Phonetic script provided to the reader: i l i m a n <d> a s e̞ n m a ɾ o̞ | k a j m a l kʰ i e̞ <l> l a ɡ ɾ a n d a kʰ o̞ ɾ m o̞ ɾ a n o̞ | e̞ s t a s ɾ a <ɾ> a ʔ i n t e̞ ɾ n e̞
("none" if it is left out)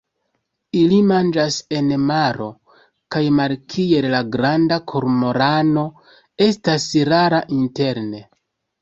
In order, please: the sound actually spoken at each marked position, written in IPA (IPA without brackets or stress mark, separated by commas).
d͡ʒ, l, ɾ